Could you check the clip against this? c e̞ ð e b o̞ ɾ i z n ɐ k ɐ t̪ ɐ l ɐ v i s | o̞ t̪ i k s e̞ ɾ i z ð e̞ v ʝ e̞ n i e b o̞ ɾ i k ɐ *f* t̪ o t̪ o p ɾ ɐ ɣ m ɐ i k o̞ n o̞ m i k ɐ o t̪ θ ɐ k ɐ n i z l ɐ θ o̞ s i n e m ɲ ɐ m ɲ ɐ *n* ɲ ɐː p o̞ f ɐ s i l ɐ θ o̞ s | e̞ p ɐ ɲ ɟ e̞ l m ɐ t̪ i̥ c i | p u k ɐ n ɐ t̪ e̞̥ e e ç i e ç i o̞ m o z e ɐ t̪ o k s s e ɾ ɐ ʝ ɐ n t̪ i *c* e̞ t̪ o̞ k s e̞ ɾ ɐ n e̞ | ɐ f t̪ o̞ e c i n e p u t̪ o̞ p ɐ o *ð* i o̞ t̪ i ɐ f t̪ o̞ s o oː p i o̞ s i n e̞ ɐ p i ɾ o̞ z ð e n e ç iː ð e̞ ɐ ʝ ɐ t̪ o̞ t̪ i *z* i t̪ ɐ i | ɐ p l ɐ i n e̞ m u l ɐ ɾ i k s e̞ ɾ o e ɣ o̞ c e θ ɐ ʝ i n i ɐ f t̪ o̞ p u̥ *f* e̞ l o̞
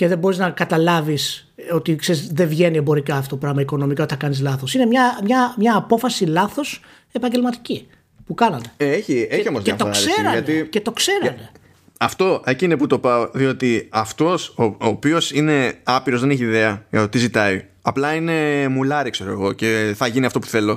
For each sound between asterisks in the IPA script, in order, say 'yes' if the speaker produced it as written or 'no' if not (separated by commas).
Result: yes, no, yes, yes, yes, no